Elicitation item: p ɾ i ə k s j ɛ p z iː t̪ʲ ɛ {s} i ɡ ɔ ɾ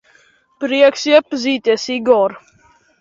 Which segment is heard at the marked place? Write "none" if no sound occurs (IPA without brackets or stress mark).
s